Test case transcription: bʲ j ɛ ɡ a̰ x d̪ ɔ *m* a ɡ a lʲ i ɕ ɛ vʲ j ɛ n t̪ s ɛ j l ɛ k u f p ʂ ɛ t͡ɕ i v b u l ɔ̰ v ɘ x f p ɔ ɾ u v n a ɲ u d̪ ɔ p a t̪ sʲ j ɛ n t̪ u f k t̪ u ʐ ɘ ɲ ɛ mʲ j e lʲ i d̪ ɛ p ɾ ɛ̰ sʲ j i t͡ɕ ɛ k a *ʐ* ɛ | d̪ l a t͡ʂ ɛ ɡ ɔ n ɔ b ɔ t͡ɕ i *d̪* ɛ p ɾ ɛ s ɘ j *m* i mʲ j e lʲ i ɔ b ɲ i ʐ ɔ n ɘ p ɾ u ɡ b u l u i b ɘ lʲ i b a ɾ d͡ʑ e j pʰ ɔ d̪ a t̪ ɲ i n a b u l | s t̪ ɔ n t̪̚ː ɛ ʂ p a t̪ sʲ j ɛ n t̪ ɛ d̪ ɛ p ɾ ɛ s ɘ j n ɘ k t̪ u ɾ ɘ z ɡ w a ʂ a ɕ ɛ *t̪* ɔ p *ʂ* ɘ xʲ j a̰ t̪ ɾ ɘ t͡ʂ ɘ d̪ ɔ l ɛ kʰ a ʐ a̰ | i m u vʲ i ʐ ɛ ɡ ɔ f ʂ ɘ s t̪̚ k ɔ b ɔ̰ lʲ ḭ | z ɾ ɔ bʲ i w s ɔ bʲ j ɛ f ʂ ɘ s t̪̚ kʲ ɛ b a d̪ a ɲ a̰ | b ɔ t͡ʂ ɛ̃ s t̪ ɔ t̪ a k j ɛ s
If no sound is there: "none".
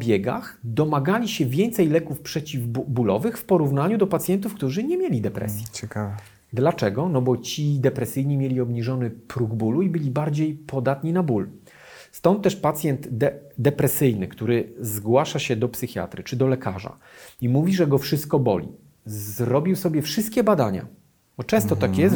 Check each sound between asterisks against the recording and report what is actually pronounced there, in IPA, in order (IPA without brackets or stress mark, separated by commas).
m, v, d̪, ɲ, d̪, s